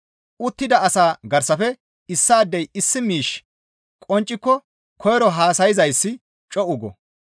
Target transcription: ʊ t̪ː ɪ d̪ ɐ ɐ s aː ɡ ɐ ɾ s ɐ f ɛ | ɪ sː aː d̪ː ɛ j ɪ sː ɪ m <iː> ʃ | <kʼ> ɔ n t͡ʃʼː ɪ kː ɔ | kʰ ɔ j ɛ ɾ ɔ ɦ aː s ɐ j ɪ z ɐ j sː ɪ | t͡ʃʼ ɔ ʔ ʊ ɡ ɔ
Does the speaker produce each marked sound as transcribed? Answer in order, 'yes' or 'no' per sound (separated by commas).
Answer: yes, yes